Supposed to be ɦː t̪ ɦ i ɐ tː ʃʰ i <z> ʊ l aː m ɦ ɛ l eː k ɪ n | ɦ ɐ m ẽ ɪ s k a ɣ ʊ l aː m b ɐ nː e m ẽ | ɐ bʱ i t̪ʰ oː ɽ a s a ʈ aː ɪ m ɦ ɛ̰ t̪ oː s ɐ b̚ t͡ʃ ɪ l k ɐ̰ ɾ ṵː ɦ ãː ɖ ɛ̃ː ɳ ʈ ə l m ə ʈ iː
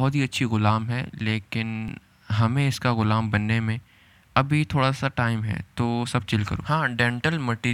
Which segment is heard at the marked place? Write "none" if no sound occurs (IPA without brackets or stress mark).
ɣ